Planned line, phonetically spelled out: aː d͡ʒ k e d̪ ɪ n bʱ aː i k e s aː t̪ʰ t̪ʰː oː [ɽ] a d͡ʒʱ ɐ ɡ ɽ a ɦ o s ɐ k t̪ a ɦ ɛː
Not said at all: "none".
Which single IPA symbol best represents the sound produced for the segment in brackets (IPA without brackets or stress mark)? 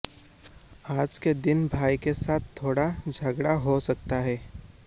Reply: ɽ